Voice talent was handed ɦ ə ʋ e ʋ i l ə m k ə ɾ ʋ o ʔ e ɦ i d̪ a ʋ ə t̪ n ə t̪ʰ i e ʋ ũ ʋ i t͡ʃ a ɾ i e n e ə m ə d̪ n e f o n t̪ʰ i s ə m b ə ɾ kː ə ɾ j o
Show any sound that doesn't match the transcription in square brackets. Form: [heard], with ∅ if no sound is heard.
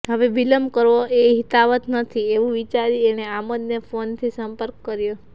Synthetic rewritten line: ɦ ə ʋ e ʋ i l ə m k ə ɾ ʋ o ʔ e ɦ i [t̪] a ʋ ə t̪ n ə t̪ʰ i e ʋ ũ ʋ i t͡ʃ a ɾ i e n e [a] m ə d̪ n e f o n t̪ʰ i s ə m [p] ə ɾ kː ə ɾ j o